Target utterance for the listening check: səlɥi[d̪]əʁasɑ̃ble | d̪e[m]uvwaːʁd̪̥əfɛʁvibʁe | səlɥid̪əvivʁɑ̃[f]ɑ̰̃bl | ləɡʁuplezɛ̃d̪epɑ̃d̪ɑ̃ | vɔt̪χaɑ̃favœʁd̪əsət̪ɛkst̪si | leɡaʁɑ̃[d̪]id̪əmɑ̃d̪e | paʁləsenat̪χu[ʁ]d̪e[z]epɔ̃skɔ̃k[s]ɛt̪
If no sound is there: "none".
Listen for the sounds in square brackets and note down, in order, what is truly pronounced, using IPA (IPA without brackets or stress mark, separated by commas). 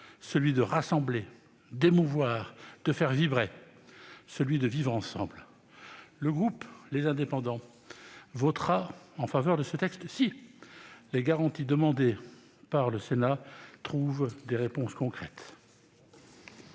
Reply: d̪, m, s, t̪, v, ʁ, χ